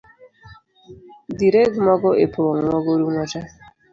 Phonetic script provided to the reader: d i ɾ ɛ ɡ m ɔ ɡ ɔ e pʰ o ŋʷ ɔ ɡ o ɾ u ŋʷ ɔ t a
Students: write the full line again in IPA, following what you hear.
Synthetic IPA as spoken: d i ɾ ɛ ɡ m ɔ ɡ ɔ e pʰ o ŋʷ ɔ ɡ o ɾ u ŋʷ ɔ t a